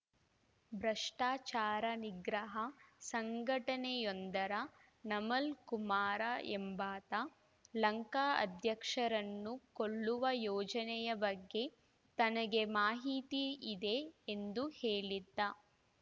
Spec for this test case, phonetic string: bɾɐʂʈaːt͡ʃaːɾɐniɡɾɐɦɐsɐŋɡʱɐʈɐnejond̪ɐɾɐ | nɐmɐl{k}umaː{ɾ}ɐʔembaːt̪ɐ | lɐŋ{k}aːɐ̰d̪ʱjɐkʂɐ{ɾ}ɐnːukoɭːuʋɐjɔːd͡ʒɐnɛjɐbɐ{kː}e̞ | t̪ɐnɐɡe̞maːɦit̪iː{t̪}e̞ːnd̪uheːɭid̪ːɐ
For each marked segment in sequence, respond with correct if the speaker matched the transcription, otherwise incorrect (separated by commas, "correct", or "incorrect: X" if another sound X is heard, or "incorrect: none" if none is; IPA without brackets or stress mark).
correct, correct, correct, correct, incorrect: ɡː, incorrect: d̪